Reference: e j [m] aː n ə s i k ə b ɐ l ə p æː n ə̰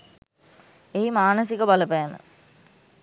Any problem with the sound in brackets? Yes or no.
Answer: no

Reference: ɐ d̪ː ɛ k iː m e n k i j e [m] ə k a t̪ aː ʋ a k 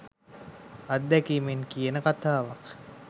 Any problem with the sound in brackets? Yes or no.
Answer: yes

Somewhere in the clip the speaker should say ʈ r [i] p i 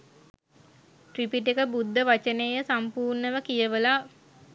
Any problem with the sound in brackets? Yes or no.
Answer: no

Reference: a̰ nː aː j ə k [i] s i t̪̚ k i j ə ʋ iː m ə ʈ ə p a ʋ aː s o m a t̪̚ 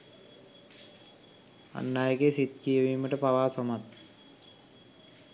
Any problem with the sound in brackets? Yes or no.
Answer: yes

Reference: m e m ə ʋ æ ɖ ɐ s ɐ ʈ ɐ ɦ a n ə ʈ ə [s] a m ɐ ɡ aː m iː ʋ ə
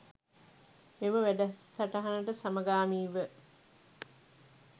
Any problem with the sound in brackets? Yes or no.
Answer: no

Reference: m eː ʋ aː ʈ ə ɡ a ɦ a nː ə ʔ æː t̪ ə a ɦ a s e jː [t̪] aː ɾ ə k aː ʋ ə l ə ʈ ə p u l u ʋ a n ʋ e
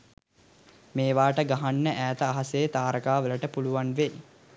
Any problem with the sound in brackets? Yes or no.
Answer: no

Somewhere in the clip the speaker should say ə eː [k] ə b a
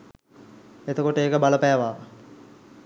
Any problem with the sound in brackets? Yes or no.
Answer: no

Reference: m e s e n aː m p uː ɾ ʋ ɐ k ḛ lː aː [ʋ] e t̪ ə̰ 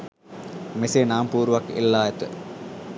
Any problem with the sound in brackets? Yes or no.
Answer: yes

